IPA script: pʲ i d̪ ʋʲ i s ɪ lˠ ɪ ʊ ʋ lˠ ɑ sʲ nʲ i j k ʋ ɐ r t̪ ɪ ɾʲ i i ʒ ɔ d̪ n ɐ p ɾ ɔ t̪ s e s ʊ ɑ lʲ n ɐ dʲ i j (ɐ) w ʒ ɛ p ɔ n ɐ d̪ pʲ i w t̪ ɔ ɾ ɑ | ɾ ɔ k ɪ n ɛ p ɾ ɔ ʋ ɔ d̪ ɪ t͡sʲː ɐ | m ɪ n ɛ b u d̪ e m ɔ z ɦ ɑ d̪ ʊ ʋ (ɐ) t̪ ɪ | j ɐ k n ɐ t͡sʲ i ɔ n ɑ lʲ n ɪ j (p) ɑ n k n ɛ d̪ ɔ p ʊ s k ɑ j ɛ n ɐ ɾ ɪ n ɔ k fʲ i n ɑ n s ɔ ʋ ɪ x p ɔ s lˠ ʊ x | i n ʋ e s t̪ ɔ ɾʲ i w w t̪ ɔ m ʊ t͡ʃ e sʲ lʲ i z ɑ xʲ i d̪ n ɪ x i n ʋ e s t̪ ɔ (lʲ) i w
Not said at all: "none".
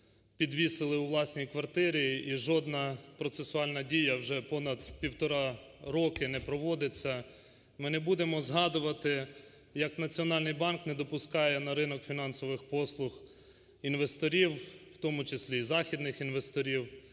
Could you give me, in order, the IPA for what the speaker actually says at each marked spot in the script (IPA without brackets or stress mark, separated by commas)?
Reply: ɐ, ɐ, b, ɾʲ